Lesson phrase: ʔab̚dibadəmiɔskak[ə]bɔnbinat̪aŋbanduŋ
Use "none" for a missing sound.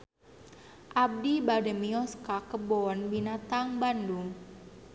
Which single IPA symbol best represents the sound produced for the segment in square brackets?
ə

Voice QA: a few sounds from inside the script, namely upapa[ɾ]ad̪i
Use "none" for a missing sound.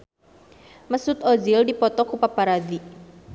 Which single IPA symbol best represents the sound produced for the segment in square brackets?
ɾ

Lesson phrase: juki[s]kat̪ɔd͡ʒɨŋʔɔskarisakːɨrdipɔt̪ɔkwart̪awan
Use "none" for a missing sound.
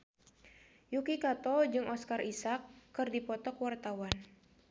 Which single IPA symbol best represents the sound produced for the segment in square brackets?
none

